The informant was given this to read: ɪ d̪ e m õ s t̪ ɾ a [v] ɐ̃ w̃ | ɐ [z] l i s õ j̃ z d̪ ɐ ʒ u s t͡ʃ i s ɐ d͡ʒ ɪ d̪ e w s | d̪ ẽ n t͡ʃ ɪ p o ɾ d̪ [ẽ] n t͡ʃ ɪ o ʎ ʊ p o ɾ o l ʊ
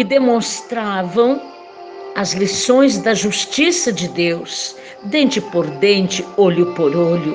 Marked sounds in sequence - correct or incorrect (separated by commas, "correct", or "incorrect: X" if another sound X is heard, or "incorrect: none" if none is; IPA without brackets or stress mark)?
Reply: correct, correct, correct